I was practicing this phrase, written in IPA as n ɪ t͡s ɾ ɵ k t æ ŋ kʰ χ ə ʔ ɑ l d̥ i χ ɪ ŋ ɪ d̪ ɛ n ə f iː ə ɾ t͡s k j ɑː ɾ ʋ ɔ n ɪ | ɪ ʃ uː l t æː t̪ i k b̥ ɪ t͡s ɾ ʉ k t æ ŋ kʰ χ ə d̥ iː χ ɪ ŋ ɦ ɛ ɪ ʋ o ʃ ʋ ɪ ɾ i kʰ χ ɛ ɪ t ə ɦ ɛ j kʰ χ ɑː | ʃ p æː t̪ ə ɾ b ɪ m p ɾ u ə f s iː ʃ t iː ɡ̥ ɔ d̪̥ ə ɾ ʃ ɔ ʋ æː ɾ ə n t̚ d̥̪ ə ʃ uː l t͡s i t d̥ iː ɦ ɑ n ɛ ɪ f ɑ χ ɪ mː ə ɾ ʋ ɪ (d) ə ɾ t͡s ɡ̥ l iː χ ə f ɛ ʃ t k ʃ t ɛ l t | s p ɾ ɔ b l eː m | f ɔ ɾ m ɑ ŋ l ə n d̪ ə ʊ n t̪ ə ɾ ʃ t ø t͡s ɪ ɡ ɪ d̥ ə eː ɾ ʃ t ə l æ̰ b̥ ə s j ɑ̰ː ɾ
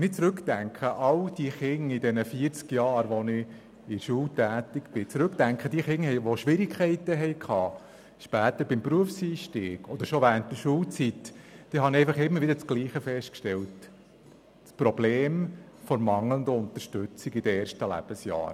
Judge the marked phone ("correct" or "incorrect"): correct